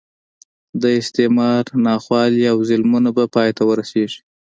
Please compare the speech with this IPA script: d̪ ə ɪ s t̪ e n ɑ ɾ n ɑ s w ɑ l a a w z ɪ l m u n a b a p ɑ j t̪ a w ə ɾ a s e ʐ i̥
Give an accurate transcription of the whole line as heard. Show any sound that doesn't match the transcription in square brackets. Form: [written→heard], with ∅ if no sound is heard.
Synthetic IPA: d̪ ə ɪ s t̪ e [n→m] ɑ ɾ n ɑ [s→x] w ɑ l [a→i] a w z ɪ l m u n a b a p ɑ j t̪ a w ə ɾ a s e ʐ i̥